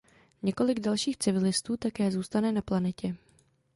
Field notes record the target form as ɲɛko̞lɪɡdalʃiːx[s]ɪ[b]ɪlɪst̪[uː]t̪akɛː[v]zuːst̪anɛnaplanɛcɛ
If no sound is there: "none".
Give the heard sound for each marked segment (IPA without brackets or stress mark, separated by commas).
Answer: t͡s, v, uː, none